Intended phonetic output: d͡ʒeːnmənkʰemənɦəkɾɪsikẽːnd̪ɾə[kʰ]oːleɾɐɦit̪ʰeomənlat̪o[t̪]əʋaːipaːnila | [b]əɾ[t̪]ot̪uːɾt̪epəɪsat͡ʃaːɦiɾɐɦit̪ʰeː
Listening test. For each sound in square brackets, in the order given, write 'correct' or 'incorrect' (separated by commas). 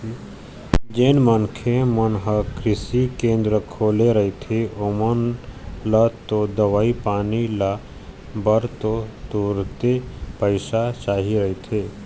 correct, incorrect, correct, correct